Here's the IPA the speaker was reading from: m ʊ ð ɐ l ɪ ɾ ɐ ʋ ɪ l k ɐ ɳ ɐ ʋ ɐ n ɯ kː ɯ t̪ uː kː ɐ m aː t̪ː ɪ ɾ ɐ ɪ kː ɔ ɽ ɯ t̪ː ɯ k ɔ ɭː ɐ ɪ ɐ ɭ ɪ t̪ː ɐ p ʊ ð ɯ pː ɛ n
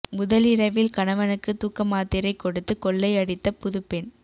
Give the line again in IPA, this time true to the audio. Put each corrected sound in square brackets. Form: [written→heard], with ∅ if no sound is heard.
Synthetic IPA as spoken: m ʊ ð ɐ l ɪ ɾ ɐ ʋ ɪ l k ɐ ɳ ɐ ʋ ɐ n ɯ kː ɯ t̪ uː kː ɐ m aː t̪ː ɪ ɾ ɐ ɪ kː ɔ ɽ ɯ t̪ː ɯ k ɔ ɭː ɐ ɪ ɐ [ɭ→ɽ] ɪ t̪ː ɐ p ʊ ð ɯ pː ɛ n